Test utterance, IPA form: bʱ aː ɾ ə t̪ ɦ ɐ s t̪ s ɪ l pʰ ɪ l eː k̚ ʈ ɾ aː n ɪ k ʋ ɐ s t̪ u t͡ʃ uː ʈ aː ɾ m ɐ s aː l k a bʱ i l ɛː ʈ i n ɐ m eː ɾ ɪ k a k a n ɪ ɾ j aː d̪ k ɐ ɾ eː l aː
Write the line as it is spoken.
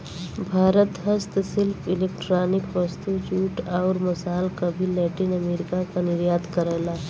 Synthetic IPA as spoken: bʱ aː ɾ ə t̪ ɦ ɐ s t̪ s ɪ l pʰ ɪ l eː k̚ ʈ ɾ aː n ɪ k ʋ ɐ s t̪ u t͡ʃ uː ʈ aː ɾ m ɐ s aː l k a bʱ i l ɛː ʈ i n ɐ m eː ɾ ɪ k a k a n ɪ ɾ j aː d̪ k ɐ ɾ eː l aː